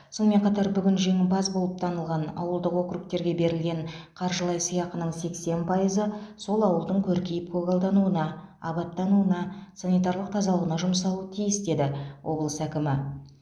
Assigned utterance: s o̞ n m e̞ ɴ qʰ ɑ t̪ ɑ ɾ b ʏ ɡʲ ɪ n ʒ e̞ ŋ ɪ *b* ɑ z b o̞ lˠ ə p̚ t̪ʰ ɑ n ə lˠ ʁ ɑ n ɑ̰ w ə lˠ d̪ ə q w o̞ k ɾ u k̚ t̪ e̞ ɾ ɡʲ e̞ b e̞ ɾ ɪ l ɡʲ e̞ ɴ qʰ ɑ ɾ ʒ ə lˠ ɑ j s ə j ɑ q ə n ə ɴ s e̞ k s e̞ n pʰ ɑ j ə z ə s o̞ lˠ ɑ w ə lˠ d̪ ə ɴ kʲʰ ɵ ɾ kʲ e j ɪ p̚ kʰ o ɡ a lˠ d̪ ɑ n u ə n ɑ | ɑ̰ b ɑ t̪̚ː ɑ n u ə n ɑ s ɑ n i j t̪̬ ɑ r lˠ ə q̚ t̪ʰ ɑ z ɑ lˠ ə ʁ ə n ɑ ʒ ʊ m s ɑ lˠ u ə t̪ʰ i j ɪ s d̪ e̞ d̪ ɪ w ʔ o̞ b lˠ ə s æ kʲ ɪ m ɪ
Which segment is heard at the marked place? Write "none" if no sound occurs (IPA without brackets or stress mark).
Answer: b